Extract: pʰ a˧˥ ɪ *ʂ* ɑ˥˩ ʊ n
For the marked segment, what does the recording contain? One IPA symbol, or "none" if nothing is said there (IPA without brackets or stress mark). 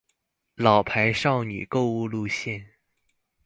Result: ʂ